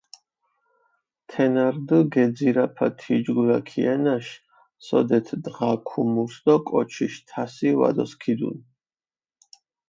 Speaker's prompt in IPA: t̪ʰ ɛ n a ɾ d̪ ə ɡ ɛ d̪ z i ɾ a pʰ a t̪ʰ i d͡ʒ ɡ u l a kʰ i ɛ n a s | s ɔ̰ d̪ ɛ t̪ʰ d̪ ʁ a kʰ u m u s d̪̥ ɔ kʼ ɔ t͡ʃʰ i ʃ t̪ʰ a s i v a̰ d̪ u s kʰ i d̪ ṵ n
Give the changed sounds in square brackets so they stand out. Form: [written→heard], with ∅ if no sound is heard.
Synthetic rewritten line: t̪ʰ ɛ n a ɾ d̪ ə ɡ ɛ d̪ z i ɾ a pʰ a t̪ʰ i d͡ʒ ɡ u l a kʰ i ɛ n a [s→ʃ] | s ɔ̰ d̪ ɛ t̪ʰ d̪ ʁ a kʰ u m u s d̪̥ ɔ kʼ ɔ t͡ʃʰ i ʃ t̪ʰ a s i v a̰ d̪ [u→ɔ] s kʰ i d̪ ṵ n

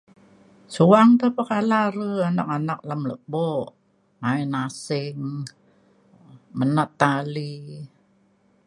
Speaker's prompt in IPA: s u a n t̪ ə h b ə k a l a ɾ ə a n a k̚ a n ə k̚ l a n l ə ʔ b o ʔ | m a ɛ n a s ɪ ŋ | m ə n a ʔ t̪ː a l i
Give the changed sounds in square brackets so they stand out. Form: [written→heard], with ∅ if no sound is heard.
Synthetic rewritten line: s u a [n→ŋ] t̪ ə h [b→p] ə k a l a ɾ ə a n a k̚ a n [ə→a] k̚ l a [n→m] l ə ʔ b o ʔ | m a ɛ n a s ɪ ŋ | m ə n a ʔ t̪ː a l i

